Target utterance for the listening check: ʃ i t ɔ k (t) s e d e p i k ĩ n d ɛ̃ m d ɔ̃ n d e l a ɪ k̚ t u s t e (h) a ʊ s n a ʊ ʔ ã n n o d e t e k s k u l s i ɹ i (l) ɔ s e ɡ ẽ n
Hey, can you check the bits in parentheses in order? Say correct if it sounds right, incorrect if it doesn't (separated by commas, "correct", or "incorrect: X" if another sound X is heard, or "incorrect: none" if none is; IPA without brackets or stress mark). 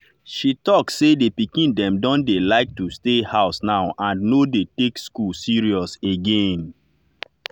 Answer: incorrect: s, correct, incorrect: none